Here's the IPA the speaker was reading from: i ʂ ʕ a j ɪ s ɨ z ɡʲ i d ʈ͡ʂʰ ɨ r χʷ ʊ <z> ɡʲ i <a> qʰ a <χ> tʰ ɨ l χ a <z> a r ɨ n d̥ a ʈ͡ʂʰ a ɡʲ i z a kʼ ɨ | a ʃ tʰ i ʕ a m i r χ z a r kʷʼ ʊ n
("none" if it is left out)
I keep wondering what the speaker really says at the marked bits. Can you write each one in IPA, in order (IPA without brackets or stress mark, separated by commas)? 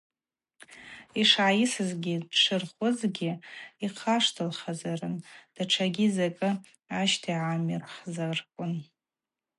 z, i, ʂ, z